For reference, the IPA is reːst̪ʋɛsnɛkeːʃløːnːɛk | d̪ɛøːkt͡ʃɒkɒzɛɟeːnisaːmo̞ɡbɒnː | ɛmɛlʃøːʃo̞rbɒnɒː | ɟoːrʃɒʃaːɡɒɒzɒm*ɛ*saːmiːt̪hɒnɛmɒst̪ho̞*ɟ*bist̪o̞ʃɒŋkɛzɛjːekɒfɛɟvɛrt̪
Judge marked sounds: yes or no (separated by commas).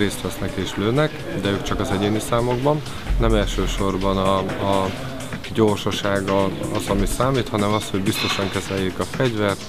no, yes